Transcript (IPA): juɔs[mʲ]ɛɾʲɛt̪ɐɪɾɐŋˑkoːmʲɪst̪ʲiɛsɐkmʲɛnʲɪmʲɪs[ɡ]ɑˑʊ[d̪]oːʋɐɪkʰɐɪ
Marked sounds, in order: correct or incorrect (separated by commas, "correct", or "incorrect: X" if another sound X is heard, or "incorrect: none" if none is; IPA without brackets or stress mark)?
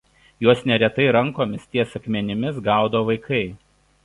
incorrect: nʲ, correct, correct